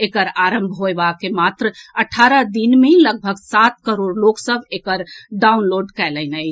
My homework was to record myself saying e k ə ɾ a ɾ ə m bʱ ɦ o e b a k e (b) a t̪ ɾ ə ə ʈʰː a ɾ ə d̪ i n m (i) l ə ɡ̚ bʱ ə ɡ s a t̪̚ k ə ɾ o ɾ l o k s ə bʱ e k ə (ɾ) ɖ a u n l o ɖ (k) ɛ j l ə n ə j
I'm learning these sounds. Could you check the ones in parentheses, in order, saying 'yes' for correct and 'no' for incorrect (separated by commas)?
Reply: no, no, yes, yes